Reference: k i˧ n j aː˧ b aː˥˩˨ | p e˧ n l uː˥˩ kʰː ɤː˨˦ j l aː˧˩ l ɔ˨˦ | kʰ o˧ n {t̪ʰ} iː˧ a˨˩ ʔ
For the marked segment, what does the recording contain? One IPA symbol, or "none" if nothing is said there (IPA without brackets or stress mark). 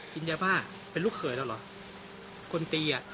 t̪